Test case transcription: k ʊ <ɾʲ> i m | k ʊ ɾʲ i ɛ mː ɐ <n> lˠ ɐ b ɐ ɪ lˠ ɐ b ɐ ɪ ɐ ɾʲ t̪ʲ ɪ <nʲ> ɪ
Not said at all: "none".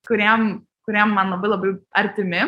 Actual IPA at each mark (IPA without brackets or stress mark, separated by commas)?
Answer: ɾʲ, n, mʲ